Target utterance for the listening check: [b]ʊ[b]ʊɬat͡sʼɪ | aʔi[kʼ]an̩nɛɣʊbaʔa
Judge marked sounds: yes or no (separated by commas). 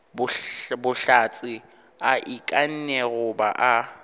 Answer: yes, yes, yes